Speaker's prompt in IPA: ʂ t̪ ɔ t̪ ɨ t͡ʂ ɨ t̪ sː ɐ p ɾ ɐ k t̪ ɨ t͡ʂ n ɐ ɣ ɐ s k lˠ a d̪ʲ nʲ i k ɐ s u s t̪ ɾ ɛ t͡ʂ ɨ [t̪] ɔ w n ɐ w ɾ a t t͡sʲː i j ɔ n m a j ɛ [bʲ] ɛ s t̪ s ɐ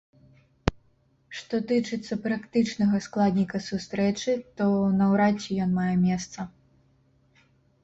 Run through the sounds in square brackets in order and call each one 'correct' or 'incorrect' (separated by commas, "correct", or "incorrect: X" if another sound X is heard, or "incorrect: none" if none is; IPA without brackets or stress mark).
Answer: correct, incorrect: mʲ